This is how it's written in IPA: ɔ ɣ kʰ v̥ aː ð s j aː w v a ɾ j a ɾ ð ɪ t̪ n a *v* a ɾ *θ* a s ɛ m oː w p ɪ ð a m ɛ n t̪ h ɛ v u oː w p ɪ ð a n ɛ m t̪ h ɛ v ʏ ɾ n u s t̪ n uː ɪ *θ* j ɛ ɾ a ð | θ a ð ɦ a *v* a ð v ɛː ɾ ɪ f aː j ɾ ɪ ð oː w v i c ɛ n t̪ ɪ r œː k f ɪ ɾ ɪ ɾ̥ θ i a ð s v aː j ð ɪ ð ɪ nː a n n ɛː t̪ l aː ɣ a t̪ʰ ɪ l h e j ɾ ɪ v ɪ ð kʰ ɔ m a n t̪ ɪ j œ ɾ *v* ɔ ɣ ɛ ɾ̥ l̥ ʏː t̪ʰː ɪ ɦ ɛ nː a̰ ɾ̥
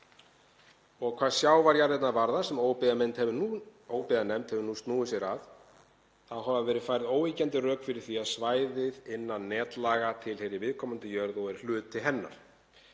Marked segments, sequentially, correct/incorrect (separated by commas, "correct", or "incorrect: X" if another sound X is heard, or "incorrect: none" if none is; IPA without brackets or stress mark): correct, incorrect: ð, incorrect: s, correct, incorrect: ð